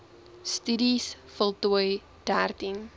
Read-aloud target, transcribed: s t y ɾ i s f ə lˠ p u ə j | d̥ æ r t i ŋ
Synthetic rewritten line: s t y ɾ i s f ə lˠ t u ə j | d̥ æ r t i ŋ